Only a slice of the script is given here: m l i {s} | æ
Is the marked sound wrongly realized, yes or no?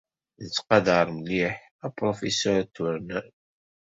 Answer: yes